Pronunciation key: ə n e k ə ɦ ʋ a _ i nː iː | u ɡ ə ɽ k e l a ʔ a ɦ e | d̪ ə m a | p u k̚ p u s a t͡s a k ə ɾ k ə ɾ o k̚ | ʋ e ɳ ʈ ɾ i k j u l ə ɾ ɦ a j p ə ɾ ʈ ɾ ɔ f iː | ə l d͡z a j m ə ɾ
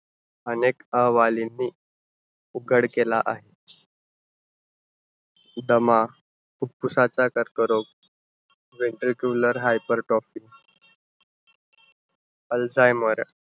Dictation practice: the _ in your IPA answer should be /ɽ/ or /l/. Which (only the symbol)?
l